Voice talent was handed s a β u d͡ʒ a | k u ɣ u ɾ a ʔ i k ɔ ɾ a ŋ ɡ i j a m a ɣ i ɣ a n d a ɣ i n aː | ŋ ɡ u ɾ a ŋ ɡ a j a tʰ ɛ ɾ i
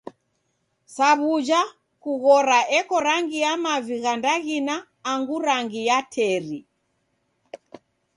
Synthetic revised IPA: s a β u d͡ʒ a | k u ɣ ɔ ɾ a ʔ ɛ k ɔ ɾ a ŋ ɡ i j a m a v i ɣ a n d a ɣ i n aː | ŋ ɡ u ɾ a ŋ ɡ i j a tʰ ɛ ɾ i